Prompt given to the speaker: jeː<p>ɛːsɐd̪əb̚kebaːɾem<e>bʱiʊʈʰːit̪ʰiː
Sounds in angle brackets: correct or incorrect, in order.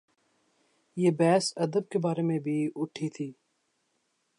incorrect: b, incorrect: ẽ

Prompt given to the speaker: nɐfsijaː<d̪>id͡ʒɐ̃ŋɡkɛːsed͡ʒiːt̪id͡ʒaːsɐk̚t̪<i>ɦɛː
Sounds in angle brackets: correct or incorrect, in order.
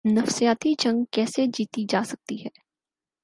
incorrect: t̪, correct

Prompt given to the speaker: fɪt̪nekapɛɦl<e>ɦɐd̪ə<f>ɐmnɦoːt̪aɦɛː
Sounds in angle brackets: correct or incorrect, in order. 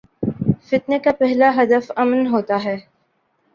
incorrect: a, correct

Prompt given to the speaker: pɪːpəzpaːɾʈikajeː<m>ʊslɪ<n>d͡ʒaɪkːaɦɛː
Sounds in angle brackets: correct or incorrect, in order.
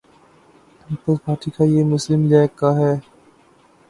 correct, incorrect: m

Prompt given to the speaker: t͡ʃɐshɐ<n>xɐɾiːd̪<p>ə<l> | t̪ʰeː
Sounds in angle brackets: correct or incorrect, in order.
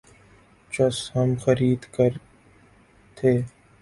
incorrect: m, incorrect: k, incorrect: ɾ

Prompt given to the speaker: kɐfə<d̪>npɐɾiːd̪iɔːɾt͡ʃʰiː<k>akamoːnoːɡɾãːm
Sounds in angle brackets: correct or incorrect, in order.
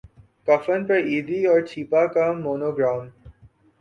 incorrect: none, incorrect: p

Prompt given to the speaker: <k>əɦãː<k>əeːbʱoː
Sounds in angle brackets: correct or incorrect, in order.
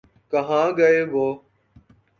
correct, incorrect: ɡ

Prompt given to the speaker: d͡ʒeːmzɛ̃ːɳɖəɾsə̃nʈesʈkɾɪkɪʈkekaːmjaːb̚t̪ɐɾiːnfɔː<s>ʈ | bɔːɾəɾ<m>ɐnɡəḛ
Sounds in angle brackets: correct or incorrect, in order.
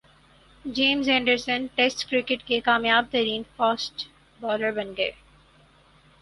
correct, incorrect: b

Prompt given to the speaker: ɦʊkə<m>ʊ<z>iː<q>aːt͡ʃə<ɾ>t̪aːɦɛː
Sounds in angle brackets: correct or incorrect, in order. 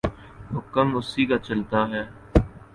correct, incorrect: s, incorrect: k, incorrect: l

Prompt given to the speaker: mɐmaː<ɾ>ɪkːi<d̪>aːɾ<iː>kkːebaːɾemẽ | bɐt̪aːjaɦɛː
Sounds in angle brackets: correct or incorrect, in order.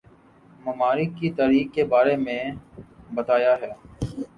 correct, incorrect: t̪, correct

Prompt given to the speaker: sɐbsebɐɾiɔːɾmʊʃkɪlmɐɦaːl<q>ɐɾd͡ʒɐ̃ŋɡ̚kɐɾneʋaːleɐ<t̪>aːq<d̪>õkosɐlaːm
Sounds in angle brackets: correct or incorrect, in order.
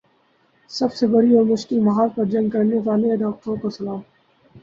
incorrect: p, incorrect: d̪, incorrect: t̪

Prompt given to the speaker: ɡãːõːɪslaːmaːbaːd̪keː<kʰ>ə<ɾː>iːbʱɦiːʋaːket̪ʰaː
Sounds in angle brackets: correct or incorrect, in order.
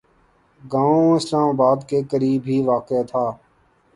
incorrect: k, incorrect: ɾ

